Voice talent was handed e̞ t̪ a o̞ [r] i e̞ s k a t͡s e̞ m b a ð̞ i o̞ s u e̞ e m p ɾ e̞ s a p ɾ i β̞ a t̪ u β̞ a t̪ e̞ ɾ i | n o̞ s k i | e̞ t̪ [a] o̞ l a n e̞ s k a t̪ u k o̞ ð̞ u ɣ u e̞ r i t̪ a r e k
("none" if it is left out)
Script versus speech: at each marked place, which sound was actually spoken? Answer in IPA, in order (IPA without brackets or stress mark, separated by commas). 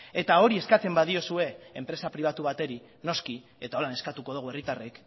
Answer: ɾ, a